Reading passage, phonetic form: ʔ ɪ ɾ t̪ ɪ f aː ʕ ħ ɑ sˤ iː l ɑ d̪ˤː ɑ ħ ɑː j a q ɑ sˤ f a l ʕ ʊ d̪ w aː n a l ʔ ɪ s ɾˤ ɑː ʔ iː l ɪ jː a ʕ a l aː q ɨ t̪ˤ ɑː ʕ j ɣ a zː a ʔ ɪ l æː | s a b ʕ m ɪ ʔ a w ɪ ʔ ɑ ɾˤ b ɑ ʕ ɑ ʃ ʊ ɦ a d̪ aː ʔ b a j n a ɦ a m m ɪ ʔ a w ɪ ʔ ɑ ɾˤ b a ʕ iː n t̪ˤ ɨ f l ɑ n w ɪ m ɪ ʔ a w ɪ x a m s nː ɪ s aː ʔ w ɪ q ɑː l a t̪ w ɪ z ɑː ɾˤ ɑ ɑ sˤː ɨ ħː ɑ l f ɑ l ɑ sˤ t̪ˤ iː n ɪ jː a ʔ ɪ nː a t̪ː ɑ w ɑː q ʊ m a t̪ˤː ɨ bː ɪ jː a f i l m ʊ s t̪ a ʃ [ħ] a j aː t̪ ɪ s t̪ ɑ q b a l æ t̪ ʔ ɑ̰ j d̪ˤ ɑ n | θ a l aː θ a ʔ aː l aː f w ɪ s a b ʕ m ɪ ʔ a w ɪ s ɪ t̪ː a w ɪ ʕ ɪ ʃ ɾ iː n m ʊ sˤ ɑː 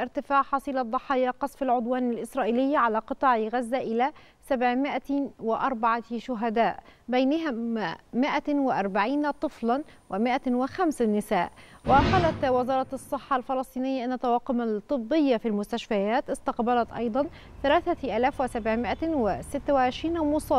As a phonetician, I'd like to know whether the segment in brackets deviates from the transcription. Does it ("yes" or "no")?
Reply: yes